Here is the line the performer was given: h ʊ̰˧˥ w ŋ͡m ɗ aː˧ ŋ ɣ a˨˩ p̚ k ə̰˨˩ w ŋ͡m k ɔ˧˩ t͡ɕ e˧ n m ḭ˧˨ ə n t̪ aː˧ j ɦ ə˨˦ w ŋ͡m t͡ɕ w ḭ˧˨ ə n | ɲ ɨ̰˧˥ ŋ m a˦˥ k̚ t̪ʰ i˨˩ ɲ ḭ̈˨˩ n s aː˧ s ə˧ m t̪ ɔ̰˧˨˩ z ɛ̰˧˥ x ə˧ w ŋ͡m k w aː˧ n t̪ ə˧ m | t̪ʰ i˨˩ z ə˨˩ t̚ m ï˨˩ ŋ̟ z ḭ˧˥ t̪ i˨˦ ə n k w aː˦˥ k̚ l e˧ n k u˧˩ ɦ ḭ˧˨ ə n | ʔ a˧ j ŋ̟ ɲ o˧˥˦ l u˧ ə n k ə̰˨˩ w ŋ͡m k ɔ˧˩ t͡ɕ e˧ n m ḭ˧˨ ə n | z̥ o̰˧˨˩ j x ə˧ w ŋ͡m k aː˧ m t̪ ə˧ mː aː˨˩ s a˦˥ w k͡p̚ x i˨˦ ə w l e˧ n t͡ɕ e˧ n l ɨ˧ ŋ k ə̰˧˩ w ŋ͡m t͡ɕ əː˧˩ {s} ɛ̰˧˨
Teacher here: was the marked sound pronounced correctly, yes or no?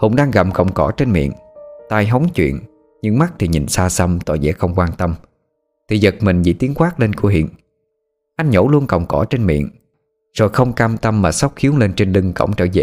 no